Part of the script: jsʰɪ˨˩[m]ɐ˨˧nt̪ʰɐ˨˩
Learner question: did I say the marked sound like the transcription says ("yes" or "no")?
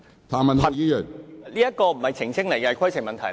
yes